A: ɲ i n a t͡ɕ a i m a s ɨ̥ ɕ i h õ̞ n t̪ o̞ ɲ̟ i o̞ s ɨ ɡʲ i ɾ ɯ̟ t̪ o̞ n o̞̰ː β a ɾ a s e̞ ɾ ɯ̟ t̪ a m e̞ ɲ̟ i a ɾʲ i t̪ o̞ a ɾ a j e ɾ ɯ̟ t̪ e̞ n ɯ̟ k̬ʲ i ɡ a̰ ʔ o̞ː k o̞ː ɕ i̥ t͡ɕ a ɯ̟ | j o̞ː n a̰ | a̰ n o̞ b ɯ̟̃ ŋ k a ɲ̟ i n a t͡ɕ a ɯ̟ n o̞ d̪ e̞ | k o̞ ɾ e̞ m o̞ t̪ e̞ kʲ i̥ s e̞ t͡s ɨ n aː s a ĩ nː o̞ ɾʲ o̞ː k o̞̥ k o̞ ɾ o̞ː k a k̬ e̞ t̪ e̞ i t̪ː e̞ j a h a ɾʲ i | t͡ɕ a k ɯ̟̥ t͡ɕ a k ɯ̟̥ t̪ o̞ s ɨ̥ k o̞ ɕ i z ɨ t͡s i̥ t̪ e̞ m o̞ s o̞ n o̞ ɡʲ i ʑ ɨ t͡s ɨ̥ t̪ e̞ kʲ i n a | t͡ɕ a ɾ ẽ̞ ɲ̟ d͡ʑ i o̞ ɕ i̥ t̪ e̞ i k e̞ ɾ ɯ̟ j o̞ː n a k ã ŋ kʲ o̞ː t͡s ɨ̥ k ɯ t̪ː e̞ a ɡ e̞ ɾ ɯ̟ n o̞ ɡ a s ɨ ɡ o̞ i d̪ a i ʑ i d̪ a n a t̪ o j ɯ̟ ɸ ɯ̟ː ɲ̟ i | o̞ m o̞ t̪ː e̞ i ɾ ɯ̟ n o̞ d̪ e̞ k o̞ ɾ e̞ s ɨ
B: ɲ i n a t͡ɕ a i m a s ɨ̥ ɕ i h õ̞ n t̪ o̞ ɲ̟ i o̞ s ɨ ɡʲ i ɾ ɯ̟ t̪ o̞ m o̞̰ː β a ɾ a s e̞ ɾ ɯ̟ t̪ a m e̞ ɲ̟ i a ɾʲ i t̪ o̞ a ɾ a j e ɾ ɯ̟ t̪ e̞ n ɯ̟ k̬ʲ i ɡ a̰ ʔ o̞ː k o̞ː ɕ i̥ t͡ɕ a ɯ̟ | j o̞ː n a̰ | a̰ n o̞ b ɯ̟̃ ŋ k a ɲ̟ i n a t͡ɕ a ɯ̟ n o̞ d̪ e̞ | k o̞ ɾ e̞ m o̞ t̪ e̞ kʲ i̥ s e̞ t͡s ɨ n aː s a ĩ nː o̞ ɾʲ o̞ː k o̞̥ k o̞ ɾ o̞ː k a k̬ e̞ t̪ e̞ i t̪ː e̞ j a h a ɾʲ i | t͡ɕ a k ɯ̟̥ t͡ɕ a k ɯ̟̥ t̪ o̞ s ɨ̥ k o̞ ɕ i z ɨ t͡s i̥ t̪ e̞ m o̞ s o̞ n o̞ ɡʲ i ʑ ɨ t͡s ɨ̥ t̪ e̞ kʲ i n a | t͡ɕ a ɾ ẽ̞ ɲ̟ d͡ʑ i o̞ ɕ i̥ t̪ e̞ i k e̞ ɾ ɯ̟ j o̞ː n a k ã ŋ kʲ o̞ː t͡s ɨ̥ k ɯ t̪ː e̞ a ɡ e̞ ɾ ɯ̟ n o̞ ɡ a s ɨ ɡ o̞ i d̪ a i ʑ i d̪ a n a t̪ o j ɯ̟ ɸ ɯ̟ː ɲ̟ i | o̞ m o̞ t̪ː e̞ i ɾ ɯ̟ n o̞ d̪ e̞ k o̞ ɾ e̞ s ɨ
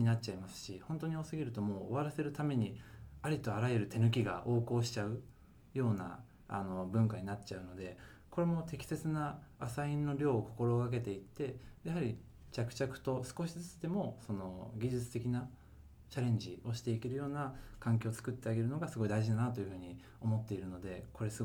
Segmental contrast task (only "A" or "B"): B